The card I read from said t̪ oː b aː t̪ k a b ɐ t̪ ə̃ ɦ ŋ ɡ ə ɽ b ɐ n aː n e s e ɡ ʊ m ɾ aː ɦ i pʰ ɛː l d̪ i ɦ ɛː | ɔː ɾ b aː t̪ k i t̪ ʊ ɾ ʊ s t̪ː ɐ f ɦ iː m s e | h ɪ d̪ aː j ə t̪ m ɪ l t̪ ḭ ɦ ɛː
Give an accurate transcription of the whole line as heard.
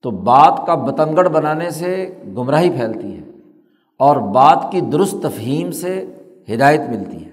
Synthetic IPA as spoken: t̪ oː b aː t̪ k a b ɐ t̪ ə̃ ŋ ɡ ə ɽ b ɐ n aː n e s e ɡ ʊ m ɾ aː ɦ i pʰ ɛː l t̪ i ɦ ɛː | ɔː ɾ b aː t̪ k i d̪ ʊ ɾ ʊ s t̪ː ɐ f ɦ iː m s e | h ɪ d̪ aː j ə t̪ m ɪ l t̪ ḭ ɦ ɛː